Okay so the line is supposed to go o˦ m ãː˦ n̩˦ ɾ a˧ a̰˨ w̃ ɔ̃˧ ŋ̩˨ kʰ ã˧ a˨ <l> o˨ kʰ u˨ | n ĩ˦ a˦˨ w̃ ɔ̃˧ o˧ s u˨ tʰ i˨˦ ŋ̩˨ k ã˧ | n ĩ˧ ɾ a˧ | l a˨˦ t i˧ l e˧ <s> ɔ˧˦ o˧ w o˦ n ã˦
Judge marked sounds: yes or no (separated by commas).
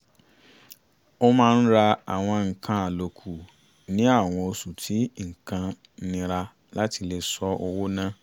yes, yes